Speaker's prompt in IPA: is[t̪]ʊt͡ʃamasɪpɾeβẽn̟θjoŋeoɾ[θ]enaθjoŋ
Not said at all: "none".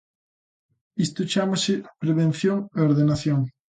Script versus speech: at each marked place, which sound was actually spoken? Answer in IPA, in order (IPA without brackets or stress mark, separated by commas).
t̪, ð